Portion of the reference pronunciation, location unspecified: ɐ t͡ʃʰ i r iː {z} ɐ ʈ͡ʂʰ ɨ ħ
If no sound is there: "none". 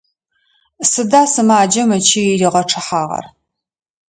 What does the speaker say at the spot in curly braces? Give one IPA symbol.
ʁ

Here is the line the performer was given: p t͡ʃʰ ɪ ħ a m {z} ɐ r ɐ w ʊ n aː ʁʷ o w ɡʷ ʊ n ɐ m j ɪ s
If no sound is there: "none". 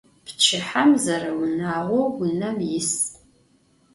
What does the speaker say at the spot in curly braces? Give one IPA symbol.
z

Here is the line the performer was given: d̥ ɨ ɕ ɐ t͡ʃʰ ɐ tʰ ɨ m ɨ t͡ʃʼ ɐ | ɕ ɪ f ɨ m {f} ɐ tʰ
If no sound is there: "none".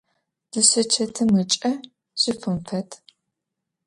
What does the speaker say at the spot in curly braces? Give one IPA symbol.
f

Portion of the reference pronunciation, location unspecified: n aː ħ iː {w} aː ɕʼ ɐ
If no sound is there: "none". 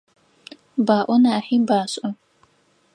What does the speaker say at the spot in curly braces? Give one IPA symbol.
b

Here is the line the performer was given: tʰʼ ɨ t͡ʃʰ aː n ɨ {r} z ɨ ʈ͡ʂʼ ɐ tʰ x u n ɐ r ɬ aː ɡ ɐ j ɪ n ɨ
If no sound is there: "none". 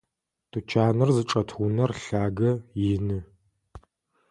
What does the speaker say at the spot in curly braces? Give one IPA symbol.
r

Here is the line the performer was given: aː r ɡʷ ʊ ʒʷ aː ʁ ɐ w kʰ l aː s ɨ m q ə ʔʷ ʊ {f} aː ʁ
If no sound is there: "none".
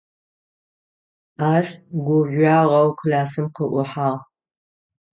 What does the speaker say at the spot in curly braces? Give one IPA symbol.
ħ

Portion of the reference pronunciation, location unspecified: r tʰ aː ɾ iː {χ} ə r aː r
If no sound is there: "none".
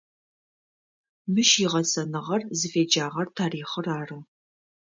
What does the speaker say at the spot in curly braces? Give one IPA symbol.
χ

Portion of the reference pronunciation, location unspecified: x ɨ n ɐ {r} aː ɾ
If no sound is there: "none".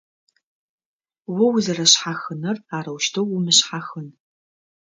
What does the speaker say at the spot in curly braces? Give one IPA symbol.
r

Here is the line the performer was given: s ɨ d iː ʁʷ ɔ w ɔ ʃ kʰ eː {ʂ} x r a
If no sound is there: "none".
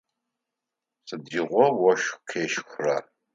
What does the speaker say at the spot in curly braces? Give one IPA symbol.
ʃ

